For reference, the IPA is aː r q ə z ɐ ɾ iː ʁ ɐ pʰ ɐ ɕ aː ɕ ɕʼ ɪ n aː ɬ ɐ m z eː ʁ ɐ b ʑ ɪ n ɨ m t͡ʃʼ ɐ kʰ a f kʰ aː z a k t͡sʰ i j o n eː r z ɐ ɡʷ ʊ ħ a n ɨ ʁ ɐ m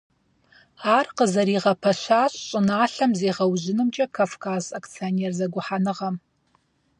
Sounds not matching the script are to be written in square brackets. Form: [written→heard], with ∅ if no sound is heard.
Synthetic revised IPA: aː r q ə z ɐ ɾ iː ʁ ɐ pʰ ɐ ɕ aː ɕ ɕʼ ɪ n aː ɬ ɐ m z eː ʁ ɐ [b→w] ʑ ɪ n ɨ m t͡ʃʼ ɐ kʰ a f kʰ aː z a k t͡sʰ i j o n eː r z ɐ ɡʷ ʊ ħ a n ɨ ʁ ɐ m